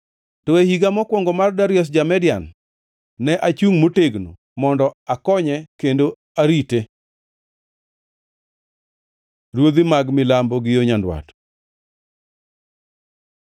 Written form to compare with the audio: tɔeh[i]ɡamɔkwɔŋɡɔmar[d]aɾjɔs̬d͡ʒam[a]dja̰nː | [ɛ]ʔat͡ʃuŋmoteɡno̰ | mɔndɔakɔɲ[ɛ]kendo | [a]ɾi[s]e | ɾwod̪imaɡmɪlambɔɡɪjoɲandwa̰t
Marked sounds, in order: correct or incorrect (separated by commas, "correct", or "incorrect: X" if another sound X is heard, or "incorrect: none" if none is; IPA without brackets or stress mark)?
correct, correct, incorrect: ɛ, correct, correct, correct, incorrect: t